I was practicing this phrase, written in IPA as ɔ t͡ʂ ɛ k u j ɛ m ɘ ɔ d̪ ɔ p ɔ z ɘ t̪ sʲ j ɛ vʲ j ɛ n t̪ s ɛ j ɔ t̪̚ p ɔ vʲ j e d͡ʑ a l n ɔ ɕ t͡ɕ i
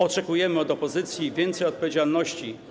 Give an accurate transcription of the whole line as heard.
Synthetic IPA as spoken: ɔ t͡ʂ ɛ k u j ɛ m ɘ ɔ d̪ ɔ p ɔ z ɘ t̪ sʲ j i vʲ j ɛ n t̪ s ɛ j ɔ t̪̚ p ɔ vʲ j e d͡ʑ a l n ɔ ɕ t͡ɕ i